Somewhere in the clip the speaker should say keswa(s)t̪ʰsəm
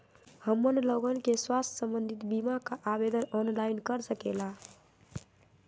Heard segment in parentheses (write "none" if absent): s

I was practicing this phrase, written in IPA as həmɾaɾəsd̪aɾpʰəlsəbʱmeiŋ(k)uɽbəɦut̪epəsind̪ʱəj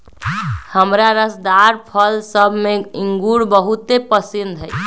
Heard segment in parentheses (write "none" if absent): ɡ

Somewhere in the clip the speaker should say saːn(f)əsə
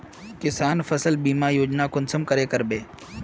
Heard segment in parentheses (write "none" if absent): f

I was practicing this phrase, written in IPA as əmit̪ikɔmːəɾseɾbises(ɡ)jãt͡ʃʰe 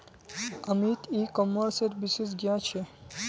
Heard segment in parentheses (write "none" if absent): ɡ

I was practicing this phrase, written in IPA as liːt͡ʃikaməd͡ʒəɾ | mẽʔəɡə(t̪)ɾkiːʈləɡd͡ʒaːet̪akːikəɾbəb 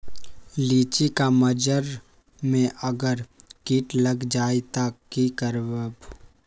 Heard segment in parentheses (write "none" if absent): none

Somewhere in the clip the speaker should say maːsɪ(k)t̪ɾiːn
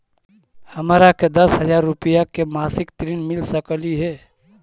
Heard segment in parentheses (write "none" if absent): k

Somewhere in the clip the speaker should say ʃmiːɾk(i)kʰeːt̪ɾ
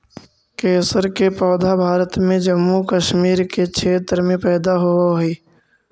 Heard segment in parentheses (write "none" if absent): e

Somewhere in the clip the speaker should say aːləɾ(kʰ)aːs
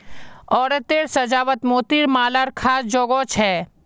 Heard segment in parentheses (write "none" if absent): kʰ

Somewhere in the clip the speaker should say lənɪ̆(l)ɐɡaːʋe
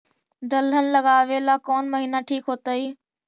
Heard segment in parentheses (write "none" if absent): l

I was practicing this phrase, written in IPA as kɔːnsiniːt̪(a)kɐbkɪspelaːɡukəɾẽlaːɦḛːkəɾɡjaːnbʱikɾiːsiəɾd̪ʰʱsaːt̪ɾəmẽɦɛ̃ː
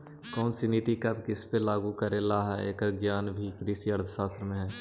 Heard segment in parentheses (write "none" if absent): i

